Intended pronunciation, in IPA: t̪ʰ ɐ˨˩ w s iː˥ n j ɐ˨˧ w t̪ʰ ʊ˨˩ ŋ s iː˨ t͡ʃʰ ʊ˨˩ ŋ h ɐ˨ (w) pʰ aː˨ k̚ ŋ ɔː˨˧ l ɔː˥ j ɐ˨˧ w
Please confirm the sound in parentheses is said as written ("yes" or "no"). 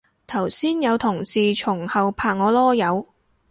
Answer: yes